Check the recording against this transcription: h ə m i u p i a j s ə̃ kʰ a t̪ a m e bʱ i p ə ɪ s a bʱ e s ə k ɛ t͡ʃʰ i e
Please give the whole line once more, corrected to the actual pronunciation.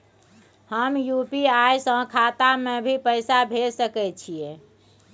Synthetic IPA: h ə m j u p i a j s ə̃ kʰ a t̪ a m e bʱ i p ə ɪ s a bʱ e s ə k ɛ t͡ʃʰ i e